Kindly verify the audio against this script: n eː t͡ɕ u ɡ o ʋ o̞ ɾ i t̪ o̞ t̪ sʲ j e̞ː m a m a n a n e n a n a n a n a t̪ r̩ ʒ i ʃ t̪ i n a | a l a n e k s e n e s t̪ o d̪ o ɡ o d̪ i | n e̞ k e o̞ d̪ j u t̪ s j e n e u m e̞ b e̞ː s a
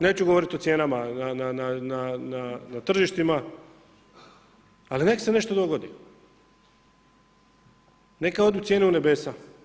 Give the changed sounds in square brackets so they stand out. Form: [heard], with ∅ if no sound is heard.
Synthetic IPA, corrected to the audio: n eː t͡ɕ u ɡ o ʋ o̞ ɾ i t̪ o̞ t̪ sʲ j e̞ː [n] a m a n a n [a] n a n a n a n a t̪ r̩ ʒ i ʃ t̪ i [m] a | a l [i] n e k s e n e [ʃ] t̪ o d̪ o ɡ o d̪ i | n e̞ k [a] o̞ d̪ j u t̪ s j e n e u [n] e̞ b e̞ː s a

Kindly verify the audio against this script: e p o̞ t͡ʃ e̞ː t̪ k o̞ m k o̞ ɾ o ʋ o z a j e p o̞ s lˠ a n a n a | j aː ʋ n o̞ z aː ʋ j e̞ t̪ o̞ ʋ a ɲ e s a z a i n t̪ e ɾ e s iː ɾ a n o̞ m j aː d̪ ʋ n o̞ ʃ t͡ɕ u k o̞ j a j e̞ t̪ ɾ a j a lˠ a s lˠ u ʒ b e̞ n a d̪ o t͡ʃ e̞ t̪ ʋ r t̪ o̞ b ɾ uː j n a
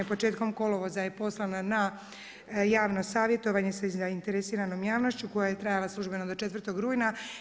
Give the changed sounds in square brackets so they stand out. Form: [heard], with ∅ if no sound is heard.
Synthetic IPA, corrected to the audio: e p o̞ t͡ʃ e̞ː t̪ k o̞ m k o̞ [l] o ʋ o z a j e p o̞ s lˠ a n a n a | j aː ʋ n o̞ [s] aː ʋ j e̞ t̪ o̞ ʋ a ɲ e s a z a i n t̪ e ɾ e s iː ɾ a n o̞ m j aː [∅] ʋ n o̞ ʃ t͡ɕ u k o̞ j a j e̞ t̪ ɾ a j a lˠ a s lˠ u ʒ b e̞ n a d̪ o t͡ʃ e̞ t̪ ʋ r t̪ o̞ [ɡ] ɾ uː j n a

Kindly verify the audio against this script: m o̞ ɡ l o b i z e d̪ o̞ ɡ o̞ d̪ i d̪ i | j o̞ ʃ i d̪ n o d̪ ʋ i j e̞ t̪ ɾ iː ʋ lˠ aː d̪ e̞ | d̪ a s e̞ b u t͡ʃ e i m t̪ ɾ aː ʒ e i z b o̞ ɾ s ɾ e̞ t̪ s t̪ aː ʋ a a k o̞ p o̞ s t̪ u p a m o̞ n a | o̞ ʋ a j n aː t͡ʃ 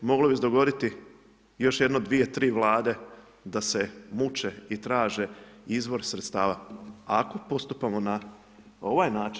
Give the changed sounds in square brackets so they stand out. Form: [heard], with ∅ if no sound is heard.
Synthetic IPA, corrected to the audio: m o̞ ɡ l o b i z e d̪ o̞ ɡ o̞ d̪ i [t̪] i | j o̞ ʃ [j] d̪ n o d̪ ʋ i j e̞ t̪ ɾ iː ʋ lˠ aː d̪ e̞ | d̪ a s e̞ [m] u t͡ʃ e i [∅] t̪ ɾ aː ʒ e i z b o̞ ɾ s ɾ e̞ t̪ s t̪ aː ʋ a a k o̞ p o̞ s t̪ u p a m o̞ n a | o̞ ʋ a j n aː t͡ʃ

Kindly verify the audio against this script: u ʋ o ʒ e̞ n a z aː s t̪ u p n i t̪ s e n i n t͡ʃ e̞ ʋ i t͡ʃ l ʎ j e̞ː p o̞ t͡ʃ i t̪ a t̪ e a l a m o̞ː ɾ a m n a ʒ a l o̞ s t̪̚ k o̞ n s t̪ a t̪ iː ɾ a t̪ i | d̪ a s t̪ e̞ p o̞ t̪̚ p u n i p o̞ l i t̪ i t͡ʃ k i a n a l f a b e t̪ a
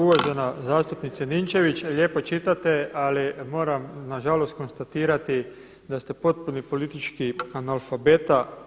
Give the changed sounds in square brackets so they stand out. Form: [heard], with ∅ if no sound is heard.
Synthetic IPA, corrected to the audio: u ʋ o ʒ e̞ n a z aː s t̪ u p n i t̪ s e n i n t͡ʃ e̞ ʋ i t͡ʃ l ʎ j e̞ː p o̞ t͡ʃ i t̪ a t̪ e a l [i] m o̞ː ɾ a m n a ʒ a l o̞ s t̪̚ k o̞ n s t̪ a t̪ iː ɾ a t̪ i | d̪ a s t̪ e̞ p o̞ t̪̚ p u n i p o̞ l i t̪ i t͡ʃ k i a n a l f a b e t̪ a

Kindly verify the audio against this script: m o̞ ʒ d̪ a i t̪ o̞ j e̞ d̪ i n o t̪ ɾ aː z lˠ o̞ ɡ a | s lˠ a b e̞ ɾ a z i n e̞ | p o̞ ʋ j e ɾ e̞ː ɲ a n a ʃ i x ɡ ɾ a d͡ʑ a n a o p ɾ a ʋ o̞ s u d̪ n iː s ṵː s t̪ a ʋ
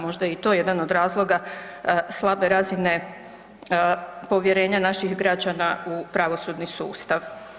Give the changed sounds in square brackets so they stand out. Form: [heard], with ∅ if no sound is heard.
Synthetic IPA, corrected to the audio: m o̞ ʒ d̪ a i t̪ o̞ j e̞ d̪ [a] n o [d̪] ɾ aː z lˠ o̞ ɡ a | s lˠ a b e̞ ɾ a z i n e̞ | p o̞ ʋ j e ɾ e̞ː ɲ a n a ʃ i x ɡ ɾ a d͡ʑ a n a [u] p ɾ a ʋ o̞ s u d̪ n [i] s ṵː s t̪ a ʋ

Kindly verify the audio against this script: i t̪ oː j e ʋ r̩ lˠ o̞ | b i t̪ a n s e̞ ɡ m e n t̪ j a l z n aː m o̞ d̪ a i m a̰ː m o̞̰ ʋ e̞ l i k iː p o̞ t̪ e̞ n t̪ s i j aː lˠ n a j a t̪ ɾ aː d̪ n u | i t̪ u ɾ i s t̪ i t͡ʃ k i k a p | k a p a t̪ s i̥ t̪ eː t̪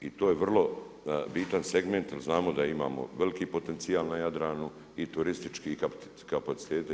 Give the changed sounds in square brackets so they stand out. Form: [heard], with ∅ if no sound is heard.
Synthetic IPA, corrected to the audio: i t̪ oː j e ʋ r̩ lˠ o̞ | b i t̪ a n s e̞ ɡ m e n t̪ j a l z n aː m o̞ d̪ a i m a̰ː m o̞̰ ʋ e̞ l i k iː p o̞ t̪ e̞ n t̪ s i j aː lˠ n a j a [d̪] ɾ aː [∅] n u | i t̪ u ɾ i s t̪ i t͡ʃ k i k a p | k a p a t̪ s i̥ t̪ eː t̪

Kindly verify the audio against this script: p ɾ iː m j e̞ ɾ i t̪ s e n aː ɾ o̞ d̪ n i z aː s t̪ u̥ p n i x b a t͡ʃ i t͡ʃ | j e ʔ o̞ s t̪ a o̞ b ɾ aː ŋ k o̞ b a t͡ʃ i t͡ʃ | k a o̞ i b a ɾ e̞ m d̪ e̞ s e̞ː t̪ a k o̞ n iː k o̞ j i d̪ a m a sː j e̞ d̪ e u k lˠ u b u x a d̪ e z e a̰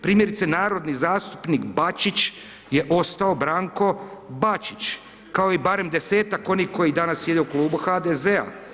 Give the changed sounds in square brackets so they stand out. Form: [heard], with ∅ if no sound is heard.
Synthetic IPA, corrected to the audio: p ɾ iː m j e̞ ɾ i t̪ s e n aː ɾ o̞ d̪ n i z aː s t̪ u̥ p n i [k] b a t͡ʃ i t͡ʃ | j e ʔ o̞ s t̪ a o̞ b ɾ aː ŋ k o̞ b a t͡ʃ i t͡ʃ | k a o̞ i b a ɾ e̞ m d̪ e̞ s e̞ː t̪ a k o̞ n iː k o̞ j i d̪ a [n] a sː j e̞ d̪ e u k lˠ [uː] b u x a d̪ e z e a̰

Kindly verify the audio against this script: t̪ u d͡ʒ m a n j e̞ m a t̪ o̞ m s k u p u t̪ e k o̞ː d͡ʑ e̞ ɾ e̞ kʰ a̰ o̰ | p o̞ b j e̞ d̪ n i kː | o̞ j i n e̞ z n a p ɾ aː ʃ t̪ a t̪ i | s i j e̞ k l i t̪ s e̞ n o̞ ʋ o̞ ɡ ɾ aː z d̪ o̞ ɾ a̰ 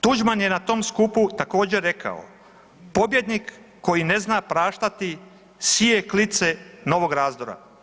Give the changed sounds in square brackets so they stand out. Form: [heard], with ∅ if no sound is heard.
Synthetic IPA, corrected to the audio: t̪ u d͡ʒ m a n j e̞ [n] a t̪ o̞ m s k u p u t̪ [a] k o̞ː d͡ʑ e̞ ɾ e̞ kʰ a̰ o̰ | p o̞ b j e̞ d̪ n i kː | o̞ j i n e̞ z n a p ɾ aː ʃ t̪ a t̪ i | s i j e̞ k l i t̪ s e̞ n o̞ ʋ o̞ ɡ ɾ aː z d̪ o̞ ɾ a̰

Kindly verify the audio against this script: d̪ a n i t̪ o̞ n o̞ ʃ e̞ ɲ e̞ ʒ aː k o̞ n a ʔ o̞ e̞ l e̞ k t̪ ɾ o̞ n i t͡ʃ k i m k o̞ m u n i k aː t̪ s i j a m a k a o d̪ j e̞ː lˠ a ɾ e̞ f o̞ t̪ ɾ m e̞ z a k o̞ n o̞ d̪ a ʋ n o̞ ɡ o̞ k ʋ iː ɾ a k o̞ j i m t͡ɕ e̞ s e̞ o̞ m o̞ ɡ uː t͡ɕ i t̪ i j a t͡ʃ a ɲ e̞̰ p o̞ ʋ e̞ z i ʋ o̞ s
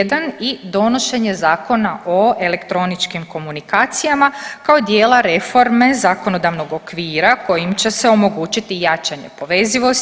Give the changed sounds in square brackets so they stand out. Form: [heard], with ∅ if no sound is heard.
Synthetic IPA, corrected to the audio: d̪ a n i [d̪] o̞ n o̞ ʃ e̞ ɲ e̞ [z] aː k o̞ n a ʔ o̞ e̞ l e̞ k t̪ ɾ o̞ n i t͡ʃ k i m k o̞ m u n i k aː t̪ s i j a m a k a o d̪ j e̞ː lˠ a ɾ e̞ f o̞ [∅] ɾ m e̞ z a k o̞ n o̞ d̪ a ʋ n o̞ ɡ o̞ k ʋ iː ɾ a k o̞ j i m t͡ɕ e̞ s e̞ o̞ m o̞ ɡ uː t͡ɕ i t̪ i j a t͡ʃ a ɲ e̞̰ p o̞ ʋ e̞ z i ʋ o̞ s

